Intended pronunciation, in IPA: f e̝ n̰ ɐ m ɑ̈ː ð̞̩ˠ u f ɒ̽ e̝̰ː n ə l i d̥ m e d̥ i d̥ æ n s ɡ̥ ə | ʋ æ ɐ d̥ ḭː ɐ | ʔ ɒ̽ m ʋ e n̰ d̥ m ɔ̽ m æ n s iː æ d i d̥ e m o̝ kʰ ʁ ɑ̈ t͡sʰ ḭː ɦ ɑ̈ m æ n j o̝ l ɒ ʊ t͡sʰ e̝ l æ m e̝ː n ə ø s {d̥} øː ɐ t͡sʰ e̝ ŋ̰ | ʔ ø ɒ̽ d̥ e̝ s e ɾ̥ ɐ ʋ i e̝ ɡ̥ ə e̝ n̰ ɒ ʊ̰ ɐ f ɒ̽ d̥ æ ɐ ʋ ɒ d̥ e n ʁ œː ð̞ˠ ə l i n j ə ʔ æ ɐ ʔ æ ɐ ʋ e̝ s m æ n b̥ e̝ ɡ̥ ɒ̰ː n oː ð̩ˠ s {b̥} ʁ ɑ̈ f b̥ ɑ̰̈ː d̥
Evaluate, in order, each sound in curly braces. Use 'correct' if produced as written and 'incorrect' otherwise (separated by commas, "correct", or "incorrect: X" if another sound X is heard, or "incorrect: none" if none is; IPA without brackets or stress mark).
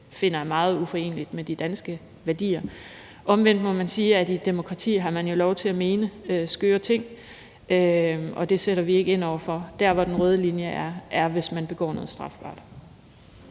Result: incorrect: ɡ̥, incorrect: d̥